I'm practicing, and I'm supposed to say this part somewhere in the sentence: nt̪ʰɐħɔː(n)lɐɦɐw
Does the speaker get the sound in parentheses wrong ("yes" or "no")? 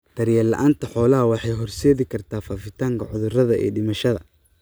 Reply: yes